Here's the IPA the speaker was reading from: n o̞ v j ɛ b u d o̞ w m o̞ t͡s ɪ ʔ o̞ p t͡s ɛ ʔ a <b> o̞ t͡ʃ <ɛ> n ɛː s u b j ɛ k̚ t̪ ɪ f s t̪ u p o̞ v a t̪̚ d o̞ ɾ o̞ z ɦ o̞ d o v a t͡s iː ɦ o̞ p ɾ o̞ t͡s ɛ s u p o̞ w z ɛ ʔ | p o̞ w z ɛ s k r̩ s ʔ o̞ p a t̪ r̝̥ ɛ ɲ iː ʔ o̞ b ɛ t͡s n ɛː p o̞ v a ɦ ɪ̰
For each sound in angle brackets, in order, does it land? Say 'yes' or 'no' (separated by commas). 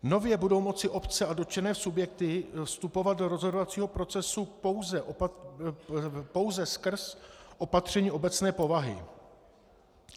no, yes